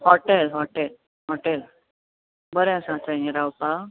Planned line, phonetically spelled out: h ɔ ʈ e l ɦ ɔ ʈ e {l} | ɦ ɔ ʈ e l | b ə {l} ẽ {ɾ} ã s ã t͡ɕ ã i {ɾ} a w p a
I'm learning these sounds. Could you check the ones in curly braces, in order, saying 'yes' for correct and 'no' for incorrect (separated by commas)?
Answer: yes, no, no, yes